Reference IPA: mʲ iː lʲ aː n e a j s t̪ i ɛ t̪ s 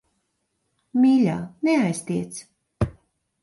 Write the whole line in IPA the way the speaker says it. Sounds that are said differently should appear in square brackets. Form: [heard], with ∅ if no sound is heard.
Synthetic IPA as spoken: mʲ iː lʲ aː n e a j s t̪ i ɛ t̪ s